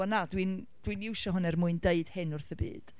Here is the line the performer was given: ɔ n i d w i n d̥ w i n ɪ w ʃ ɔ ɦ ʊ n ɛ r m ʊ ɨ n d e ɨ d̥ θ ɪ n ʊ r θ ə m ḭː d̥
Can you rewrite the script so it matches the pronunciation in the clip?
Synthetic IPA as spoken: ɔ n a d w i n d̥ w i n ɪ w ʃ ɔ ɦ ʊ n ɛ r m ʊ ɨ n d e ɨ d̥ h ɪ n ʊ r θ ə b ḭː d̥